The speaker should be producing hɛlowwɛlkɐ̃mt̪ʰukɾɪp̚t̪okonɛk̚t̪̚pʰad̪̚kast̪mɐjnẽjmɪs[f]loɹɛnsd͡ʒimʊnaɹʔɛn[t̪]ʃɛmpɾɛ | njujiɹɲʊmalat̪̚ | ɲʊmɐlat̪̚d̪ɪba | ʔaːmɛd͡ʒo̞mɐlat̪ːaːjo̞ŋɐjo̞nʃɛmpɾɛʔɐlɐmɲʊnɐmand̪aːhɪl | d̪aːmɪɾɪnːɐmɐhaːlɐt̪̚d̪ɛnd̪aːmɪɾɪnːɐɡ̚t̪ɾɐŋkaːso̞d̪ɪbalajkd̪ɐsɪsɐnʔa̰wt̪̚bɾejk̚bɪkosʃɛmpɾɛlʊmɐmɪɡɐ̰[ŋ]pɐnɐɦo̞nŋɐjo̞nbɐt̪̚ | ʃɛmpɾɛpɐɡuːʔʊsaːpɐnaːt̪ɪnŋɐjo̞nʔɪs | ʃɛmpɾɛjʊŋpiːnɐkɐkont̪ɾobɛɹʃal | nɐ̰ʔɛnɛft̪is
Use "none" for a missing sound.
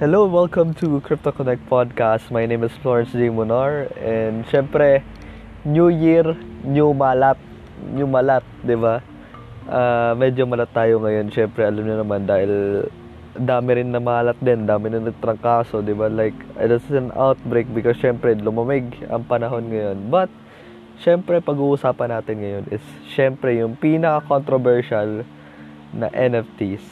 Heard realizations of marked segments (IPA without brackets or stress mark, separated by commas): f, d̪, ŋ